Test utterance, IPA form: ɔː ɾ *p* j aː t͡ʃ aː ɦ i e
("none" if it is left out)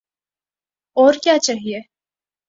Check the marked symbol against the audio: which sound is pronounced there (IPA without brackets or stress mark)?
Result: k